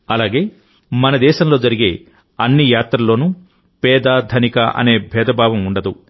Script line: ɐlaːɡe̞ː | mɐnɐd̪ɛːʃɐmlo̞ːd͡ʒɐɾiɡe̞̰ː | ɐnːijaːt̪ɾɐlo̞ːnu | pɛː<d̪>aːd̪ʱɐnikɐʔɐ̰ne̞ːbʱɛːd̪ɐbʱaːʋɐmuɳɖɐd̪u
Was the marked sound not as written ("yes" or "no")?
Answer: no